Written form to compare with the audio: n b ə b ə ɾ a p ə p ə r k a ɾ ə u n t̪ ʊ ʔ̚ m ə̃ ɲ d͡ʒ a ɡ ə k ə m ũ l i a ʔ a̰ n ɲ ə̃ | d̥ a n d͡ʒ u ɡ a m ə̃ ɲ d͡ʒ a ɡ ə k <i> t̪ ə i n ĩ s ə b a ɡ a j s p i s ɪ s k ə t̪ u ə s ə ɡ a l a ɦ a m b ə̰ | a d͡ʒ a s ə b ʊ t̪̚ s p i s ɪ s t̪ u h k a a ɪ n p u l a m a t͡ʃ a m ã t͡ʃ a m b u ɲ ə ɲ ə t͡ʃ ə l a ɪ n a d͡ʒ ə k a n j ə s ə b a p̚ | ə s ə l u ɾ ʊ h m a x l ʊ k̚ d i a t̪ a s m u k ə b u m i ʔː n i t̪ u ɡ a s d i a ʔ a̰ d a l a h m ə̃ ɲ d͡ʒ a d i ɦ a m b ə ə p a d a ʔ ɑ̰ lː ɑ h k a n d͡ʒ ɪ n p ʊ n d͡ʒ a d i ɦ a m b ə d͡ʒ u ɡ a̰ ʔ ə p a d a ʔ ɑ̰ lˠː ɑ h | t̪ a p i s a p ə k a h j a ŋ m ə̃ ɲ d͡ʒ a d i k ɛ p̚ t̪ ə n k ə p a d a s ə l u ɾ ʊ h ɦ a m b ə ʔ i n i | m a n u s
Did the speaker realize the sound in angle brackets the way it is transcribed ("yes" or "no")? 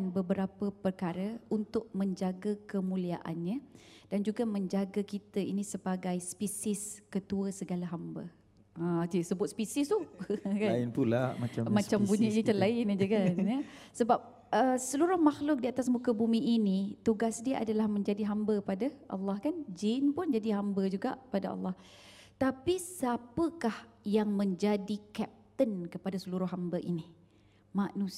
yes